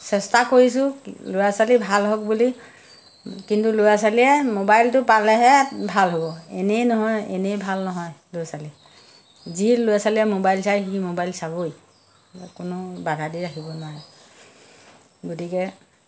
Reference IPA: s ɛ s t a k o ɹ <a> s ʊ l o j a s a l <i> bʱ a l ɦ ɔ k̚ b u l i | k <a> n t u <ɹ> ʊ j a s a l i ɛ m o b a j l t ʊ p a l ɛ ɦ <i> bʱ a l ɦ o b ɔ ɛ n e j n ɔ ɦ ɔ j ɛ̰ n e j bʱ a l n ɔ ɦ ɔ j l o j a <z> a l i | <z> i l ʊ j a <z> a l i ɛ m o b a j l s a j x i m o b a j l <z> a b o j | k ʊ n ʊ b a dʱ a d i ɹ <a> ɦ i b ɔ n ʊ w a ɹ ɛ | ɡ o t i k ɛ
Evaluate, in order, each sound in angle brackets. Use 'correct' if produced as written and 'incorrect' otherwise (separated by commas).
incorrect, correct, incorrect, incorrect, incorrect, incorrect, correct, incorrect, incorrect, correct